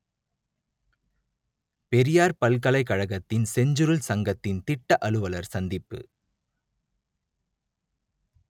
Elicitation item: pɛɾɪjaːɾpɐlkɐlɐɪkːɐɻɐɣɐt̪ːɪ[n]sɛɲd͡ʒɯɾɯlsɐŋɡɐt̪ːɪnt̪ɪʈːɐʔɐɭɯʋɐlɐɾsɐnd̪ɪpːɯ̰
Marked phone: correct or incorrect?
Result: correct